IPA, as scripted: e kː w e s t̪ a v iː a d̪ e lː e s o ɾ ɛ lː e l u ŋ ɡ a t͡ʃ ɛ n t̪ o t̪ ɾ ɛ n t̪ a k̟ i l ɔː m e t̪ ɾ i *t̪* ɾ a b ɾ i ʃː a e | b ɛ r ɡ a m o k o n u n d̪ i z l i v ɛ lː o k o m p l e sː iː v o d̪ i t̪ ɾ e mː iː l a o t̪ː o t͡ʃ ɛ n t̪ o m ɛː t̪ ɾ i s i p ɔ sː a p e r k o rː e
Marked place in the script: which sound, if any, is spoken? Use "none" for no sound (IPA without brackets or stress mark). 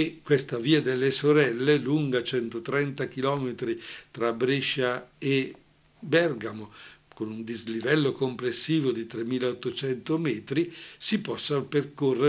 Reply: t̪